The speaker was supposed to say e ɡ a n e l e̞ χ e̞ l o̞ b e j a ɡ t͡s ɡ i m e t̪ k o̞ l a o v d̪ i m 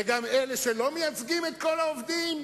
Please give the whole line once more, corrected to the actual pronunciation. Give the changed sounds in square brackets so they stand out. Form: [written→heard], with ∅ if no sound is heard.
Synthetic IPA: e ɡ a [n→m] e l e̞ [χ→ʃ] e̞ l o̞ [b→m] e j a [ɡ→∅] t͡s ɡ i m e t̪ k o̞ l a o v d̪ i m